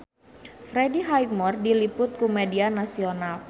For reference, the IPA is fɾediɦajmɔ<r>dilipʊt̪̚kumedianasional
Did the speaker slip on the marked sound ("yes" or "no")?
no